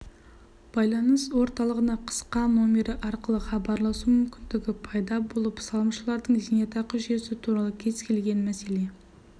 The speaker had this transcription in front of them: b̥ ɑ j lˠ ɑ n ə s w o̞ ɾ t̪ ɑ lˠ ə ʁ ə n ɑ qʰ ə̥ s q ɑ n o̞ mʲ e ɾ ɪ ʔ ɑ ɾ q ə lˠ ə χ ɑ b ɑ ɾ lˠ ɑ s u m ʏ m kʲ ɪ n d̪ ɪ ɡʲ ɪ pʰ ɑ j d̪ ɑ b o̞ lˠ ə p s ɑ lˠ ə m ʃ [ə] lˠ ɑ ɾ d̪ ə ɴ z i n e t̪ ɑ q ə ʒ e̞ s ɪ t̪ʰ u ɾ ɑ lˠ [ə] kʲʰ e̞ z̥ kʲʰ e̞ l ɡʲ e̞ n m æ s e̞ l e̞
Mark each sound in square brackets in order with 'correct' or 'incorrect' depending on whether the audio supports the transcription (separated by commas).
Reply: correct, correct